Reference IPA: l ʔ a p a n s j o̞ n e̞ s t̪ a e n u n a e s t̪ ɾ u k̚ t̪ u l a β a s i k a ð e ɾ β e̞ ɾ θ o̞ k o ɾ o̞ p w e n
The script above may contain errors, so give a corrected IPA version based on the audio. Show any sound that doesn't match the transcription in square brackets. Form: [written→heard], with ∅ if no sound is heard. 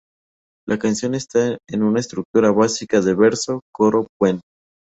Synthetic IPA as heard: l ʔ a [p→k] a n s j o̞ n e̞ s t̪ a e n u n a e s t̪ ɾ u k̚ t̪ u [l→ɾ] a β a s i k a ð e [ɾ→∅] β e̞ ɾ [θ→s] o̞ k o ɾ o̞ p w e n